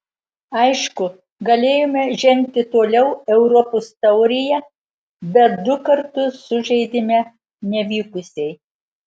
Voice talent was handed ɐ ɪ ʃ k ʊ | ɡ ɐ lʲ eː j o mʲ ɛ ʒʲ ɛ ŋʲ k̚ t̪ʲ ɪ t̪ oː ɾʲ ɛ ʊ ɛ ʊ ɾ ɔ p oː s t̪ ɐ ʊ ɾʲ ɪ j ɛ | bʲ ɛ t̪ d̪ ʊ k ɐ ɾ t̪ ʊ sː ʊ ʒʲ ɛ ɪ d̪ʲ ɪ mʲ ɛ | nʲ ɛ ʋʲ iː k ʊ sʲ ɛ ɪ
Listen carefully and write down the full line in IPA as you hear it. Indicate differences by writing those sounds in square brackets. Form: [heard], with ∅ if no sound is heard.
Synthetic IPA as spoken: ɐ ɪ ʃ k ʊ | ɡ ɐ lʲ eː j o mʲ ɛ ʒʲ ɛ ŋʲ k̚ t̪ʲ ɪ t̪ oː [lʲ] ɛ ʊ ɛ ʊ ɾ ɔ p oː s t̪ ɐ ʊ ɾʲ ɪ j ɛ | bʲ ɛ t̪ d̪ ʊ k ɐ ɾ t̪ ʊ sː ʊ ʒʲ ɛ ɪ d̪ʲ ɪ mʲ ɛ | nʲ ɛ ʋʲ iː k ʊ sʲ ɛ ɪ

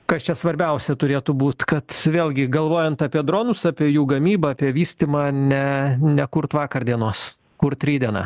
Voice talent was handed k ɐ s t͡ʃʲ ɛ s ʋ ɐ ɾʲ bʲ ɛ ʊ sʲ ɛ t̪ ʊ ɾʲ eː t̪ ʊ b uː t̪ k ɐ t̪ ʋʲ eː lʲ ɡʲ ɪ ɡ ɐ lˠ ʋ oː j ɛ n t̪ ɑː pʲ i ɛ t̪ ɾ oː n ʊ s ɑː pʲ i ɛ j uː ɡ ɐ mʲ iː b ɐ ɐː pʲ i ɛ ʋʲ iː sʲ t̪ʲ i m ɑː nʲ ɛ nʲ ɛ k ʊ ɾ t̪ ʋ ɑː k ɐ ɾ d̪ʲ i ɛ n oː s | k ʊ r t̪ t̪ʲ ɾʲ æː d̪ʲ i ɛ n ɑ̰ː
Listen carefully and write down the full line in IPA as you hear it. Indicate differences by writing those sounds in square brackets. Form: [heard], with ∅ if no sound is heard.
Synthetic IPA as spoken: k ɐ s t͡ʃʲ ɛ s ʋ ɐ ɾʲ bʲ ɛ ʊ sʲ ɛ t̪ ʊ ɾʲ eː t̪ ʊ b uː t̪ k ɐ t̪ ʋʲ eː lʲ ɡʲ ɪ ɡ ɐ lˠ ʋ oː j ɛ n t̪ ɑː pʲ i ɛ [d̪] ɾ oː n ʊ s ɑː pʲ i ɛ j uː ɡ ɐ mʲ iː b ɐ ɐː pʲ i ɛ ʋʲ iː sʲ t̪ʲ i m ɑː nʲ ɛ nʲ ɛ k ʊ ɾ t̪ ʋ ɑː k ɐ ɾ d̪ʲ i ɛ n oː s | k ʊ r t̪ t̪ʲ ɾʲ [iː] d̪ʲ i ɛ n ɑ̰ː

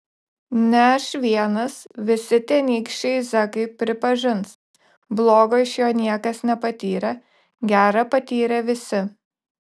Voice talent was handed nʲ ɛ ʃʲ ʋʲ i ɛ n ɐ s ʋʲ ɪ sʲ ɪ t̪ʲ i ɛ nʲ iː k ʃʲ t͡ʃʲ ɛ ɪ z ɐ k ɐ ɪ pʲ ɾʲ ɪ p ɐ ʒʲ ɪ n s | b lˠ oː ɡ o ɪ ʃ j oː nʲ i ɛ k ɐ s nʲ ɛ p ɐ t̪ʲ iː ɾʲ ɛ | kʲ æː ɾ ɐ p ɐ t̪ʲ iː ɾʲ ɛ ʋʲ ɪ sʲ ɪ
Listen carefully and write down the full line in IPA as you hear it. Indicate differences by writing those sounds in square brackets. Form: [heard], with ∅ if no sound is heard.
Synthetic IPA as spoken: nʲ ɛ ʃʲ ʋʲ i ɛ n ɐ s ʋʲ ɪ sʲ ɪ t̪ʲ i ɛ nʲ iː k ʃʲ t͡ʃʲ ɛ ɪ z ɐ k ɐ ɪ pʲ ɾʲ ɪ p ɐ ʒʲ ɪ n s | b lˠ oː ɡ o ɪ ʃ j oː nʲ i ɛ k ɐ s nʲ ɛ p ɐ t̪ʲ iː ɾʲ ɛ | [ɡʲ] æː ɾ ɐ p ɐ t̪ʲ iː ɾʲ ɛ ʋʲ ɪ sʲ ɪ

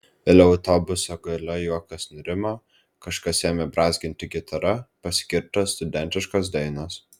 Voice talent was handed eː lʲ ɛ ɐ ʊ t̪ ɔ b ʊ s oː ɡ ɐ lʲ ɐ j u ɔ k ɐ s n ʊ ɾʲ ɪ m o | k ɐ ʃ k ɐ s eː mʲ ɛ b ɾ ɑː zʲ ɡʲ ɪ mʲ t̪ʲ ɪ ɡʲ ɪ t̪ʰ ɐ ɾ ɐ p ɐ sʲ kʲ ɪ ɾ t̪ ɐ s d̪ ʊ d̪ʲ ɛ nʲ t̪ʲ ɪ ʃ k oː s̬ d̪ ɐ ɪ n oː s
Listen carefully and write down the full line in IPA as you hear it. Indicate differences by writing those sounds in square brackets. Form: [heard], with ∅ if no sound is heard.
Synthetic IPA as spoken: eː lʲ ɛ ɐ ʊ t̪ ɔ b ʊ s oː ɡ ɐ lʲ ɐ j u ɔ k ɐ s n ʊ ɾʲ ɪ m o | k ɐ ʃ k ɐ s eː mʲ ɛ b ɾ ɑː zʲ ɡʲ ɪ [nʲ] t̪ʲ ɪ ɡʲ ɪ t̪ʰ ɐ ɾ ɐ p ɐ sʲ kʲ ɪ ɾ t̪ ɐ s [t̪] ʊ d̪ʲ ɛ nʲ t̪ʲ ɪ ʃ k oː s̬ d̪ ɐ ɪ n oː s

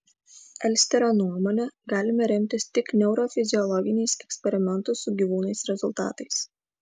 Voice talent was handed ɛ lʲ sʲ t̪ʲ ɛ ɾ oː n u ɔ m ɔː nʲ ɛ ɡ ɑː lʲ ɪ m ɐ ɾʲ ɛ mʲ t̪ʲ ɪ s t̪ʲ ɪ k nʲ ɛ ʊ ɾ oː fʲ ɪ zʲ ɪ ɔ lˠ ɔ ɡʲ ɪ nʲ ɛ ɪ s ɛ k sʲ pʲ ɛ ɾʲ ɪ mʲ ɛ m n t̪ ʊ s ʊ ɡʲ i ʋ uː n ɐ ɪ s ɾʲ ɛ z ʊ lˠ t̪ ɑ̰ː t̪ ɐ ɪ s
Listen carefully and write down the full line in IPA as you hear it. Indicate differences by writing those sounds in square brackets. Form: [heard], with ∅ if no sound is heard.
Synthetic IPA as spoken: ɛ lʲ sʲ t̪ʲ ɛ ɾ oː n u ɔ m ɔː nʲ ɛ ɡ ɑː lʲ ɪ m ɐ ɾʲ ɛ mʲ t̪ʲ ɪ s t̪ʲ ɪ k nʲ ɛ ʊ ɾ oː fʲ ɪ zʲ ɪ ɔ lˠ ɔ ɡʲ ɪ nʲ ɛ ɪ s ɛ k sʲ pʲ ɛ ɾʲ ɪ mʲ ɛ [∅] n t̪ ʊ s ʊ ɡʲ i ʋ uː n ɐ ɪ s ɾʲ ɛ z ʊ lˠ t̪ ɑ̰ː t̪ ɐ ɪ s

